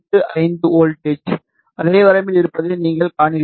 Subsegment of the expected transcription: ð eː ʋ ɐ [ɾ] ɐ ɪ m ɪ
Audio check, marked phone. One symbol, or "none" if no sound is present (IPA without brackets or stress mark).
ɾ